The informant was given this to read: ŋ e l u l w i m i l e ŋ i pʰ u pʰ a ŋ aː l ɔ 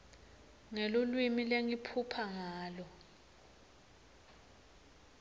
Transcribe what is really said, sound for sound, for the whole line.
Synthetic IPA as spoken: ŋ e l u l w i m i l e ŋ i pʰ u pʰ a ŋ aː l ɔ